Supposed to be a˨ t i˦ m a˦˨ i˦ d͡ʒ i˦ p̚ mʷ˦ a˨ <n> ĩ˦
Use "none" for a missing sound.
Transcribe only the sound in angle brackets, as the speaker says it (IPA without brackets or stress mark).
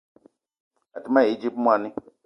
n